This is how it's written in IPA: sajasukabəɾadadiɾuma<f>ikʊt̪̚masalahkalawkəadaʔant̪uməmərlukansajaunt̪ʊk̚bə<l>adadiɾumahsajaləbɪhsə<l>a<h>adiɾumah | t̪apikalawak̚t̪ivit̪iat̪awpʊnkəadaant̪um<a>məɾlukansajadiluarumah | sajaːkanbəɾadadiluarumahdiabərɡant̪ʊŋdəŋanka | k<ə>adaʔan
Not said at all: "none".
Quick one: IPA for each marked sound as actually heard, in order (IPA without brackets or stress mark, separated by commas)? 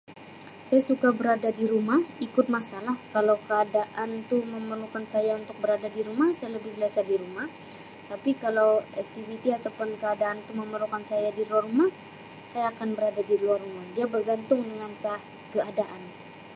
h, ɾ, l, s, ə, ə